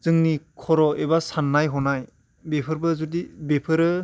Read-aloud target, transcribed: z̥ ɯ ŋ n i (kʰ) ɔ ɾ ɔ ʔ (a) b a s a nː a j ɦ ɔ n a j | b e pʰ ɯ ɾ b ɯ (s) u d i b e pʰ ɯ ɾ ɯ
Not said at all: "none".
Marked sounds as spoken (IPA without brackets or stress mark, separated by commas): kʰ, e, z